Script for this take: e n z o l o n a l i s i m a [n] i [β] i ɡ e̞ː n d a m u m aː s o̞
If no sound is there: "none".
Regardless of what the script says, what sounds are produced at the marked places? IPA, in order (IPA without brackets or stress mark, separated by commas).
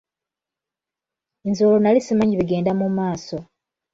ɲ, β